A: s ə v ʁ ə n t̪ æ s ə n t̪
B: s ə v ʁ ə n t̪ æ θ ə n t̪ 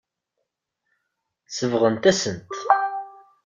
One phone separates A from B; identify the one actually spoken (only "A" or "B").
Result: A